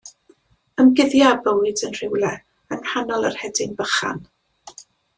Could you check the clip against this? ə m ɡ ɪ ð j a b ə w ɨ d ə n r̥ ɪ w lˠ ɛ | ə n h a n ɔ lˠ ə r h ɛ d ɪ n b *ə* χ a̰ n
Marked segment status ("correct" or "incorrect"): correct